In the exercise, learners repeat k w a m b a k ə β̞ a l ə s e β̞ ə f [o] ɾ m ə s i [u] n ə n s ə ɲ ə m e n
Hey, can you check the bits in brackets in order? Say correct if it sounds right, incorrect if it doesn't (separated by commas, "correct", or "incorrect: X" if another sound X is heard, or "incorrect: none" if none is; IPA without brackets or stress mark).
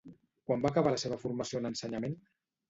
incorrect: u, incorrect: o